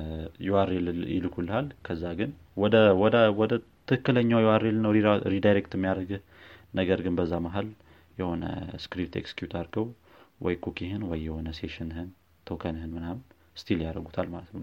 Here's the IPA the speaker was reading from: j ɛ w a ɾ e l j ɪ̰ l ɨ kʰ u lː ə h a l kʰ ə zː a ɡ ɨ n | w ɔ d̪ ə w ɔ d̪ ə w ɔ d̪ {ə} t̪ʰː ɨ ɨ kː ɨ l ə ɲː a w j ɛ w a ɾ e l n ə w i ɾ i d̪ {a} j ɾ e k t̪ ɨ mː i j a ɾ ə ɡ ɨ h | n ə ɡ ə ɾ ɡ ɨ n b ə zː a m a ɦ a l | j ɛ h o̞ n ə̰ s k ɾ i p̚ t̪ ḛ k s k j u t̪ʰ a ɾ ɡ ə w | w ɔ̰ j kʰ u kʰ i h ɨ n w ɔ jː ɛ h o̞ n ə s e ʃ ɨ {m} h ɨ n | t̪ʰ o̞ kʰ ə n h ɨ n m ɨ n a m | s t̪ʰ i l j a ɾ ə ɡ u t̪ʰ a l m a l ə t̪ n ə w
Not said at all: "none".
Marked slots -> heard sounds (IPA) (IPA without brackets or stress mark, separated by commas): ə, a, n